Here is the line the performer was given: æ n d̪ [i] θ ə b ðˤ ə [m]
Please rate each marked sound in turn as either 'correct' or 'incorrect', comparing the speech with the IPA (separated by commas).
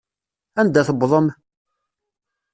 incorrect, correct